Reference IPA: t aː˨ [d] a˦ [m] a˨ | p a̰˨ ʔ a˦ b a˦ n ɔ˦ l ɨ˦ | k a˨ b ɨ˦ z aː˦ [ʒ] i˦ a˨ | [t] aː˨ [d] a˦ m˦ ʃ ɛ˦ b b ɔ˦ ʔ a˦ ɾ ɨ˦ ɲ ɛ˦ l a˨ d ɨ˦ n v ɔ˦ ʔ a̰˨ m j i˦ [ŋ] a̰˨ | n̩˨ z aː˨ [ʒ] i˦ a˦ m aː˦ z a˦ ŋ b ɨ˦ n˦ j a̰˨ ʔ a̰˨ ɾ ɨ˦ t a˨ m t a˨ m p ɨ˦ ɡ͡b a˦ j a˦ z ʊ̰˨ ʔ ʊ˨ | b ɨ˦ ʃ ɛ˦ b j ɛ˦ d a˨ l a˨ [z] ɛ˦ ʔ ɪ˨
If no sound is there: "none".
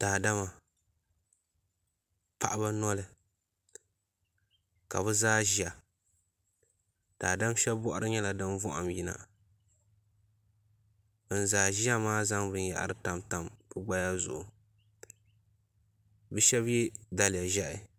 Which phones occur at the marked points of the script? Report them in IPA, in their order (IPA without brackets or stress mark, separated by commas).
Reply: d, m, ʒ, t, d, n, ʒ, ʒ